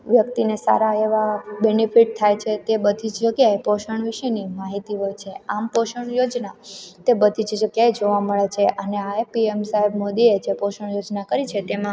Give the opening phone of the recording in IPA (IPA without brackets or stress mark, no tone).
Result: ʋ